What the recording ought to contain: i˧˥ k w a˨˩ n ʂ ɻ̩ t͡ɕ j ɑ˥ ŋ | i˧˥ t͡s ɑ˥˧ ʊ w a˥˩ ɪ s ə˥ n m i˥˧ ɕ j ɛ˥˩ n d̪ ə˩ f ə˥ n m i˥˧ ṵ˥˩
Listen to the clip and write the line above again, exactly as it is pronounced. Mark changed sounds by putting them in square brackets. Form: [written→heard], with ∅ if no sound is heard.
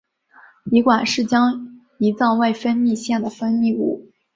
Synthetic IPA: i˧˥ k w a˨˩ n ʂ ɻ̩ t͡ɕ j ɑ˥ ŋ | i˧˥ t͡s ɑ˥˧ ʊ w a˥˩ ɪ [s→f] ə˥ n m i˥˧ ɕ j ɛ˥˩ n d̪ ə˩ f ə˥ n m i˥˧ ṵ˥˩